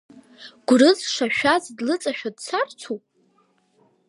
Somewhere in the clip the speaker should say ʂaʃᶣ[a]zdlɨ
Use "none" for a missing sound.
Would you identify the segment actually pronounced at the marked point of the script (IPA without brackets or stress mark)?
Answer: a